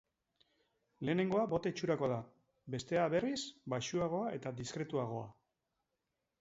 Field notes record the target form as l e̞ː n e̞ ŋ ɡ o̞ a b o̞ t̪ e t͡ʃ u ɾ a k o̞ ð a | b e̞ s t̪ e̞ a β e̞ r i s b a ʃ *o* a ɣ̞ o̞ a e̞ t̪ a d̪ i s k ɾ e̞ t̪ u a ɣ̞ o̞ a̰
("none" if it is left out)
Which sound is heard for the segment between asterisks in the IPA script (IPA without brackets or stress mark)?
u